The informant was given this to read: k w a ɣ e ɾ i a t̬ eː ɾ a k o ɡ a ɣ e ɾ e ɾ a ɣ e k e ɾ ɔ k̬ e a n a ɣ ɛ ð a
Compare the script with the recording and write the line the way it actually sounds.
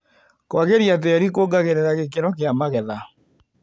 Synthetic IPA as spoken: k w a ɣ e ɾ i a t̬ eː ɾ i k o ɡ a ɣ e ɾ e ɾ a ɣ e k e ɾ ɔ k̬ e a m a ɣ ɛ ð a